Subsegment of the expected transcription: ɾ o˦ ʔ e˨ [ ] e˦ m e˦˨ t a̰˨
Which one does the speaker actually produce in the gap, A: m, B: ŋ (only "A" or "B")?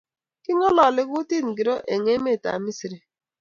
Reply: B